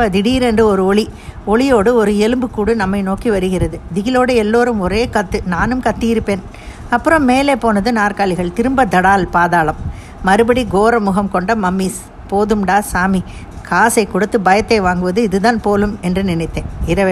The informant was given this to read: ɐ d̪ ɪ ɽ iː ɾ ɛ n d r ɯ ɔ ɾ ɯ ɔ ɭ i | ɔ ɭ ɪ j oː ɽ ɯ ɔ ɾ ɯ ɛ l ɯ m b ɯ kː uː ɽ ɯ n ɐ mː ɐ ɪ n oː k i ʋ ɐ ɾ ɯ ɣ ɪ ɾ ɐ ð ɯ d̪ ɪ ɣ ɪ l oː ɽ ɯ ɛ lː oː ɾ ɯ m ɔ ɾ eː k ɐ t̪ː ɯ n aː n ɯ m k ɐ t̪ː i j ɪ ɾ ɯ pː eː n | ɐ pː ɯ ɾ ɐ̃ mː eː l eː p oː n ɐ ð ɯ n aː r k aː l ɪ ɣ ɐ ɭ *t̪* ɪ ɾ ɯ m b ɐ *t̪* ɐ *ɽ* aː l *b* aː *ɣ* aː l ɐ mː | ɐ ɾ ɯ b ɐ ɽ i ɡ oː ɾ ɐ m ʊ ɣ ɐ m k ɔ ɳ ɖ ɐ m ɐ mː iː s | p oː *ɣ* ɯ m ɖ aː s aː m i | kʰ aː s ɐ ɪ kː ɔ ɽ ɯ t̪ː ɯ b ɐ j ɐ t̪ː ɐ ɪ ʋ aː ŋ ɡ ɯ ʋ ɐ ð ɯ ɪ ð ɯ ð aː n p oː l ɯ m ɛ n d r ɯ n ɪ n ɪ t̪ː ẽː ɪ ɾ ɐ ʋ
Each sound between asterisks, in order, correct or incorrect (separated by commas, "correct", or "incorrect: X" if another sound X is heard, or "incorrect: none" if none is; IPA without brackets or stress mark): correct, incorrect: d̪, correct, incorrect: p, incorrect: ð, incorrect: ð